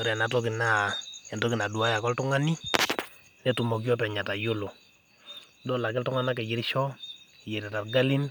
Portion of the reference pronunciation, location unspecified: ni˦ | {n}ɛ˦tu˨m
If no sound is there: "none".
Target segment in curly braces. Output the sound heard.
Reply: n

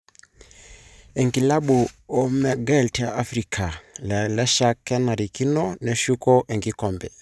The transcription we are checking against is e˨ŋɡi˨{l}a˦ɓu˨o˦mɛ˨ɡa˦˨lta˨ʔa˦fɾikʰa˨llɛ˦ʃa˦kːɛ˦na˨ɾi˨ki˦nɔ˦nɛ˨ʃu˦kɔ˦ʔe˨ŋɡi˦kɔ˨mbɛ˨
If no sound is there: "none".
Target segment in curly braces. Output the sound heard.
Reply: l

